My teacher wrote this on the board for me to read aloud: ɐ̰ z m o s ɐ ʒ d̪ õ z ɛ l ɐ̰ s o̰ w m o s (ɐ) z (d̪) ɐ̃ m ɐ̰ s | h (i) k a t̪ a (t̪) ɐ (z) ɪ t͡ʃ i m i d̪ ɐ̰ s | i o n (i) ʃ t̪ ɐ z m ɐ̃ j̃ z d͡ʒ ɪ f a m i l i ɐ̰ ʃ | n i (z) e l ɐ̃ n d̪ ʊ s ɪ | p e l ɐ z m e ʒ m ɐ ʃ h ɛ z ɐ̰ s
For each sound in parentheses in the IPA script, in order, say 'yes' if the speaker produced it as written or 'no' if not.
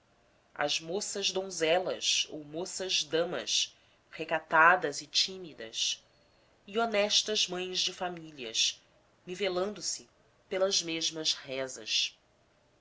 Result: yes, yes, no, no, yes, no, no

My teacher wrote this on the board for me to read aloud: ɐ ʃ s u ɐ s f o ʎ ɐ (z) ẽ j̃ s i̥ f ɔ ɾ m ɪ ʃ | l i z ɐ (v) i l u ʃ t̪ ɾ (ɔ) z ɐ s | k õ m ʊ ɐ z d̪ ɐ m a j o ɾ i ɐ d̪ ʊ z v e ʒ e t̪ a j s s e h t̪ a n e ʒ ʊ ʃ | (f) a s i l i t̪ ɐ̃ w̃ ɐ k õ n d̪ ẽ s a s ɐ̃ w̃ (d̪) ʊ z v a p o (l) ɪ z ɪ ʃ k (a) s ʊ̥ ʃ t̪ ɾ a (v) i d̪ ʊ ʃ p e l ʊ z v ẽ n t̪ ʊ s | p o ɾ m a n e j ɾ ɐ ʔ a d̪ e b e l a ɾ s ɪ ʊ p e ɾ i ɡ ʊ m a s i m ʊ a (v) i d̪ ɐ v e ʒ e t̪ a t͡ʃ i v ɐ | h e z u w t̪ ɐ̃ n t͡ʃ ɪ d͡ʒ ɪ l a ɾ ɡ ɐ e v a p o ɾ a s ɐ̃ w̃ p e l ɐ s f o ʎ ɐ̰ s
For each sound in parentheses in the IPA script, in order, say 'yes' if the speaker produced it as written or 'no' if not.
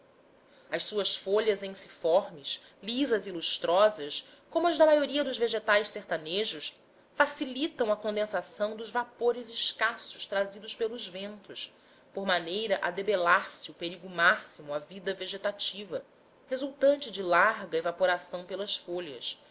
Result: yes, no, yes, yes, yes, no, yes, no, yes

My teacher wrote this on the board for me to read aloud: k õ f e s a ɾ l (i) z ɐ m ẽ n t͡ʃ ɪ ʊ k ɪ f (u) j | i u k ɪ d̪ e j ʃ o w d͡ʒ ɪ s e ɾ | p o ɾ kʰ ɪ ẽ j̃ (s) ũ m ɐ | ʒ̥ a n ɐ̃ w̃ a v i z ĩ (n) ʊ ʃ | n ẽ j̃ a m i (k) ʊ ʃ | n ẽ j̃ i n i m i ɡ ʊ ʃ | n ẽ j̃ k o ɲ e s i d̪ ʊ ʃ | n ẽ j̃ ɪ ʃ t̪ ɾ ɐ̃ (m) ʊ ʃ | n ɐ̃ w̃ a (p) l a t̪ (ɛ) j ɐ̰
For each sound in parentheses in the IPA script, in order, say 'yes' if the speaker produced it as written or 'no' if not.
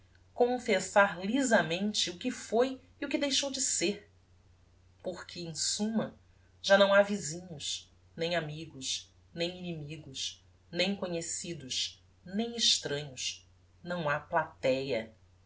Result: yes, no, yes, no, no, no, yes, yes

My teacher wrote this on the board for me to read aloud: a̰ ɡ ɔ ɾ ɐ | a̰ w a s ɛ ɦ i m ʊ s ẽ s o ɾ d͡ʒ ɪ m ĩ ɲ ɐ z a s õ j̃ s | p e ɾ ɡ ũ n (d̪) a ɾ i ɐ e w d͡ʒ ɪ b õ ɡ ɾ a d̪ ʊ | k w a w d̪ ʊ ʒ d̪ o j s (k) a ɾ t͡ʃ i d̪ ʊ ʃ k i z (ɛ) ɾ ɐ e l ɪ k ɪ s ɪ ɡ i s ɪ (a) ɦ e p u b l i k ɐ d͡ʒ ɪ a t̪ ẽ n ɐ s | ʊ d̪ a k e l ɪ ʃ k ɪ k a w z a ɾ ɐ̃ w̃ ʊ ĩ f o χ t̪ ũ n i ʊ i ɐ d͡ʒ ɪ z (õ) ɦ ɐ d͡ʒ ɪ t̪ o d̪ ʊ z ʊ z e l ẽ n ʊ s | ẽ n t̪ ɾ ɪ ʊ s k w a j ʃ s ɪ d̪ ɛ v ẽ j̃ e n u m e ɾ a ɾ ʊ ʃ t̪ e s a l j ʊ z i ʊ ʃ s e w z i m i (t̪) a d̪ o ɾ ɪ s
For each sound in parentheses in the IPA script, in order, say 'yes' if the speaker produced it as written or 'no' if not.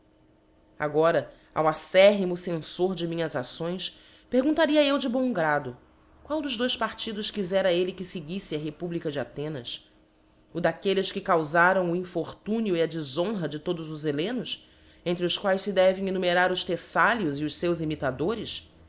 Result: no, no, yes, no, yes, yes

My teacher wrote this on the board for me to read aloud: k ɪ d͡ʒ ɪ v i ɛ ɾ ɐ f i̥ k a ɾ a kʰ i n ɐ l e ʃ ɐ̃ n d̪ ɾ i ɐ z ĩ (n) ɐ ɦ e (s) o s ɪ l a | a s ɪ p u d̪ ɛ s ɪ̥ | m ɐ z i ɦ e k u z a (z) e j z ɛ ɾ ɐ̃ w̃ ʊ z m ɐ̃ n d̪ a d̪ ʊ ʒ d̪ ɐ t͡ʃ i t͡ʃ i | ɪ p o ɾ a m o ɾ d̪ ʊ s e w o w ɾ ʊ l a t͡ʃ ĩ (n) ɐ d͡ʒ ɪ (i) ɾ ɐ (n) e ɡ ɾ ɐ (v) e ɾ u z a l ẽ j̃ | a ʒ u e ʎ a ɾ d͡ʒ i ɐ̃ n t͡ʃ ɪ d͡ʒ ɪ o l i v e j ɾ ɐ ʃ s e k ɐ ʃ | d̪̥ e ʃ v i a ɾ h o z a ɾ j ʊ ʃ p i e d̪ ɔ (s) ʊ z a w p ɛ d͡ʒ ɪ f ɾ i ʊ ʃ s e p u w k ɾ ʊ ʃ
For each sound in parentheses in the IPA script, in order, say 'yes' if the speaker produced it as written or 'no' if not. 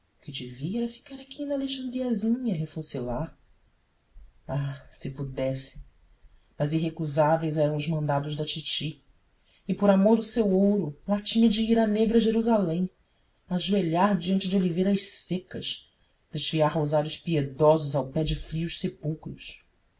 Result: no, no, no, no, yes, yes, no, no

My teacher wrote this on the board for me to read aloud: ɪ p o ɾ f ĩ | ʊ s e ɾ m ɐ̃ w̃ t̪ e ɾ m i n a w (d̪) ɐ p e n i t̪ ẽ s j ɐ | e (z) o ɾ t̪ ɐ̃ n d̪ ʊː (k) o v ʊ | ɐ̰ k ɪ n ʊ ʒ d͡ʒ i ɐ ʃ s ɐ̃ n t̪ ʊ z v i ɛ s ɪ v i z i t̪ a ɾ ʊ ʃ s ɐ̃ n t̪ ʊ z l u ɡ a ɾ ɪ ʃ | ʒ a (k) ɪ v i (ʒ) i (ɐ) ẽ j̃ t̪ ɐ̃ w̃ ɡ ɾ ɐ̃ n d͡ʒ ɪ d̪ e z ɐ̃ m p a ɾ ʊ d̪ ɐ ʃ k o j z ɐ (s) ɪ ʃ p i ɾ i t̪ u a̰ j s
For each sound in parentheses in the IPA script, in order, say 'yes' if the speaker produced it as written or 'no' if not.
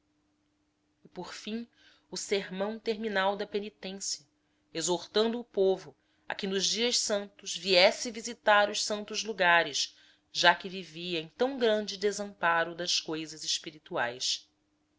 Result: yes, yes, no, yes, no, yes, no

